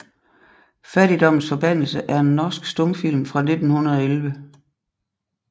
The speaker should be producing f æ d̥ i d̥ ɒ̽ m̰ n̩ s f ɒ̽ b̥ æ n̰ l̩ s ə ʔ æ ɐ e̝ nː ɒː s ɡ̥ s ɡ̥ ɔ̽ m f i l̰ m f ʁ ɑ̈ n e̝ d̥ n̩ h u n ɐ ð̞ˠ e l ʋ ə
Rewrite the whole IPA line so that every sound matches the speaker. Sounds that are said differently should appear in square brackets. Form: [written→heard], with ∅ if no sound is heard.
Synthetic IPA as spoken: f æ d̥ i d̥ ɒ̽ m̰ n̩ s f ɒ̽ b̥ æ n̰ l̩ s ə ʔ æ ɐ e̝ nː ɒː s ɡ̥ s [ɡ̥→d̥] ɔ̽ m f i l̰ m f ʁ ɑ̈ n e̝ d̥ n̩ h u n ɐ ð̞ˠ e l ʋ ə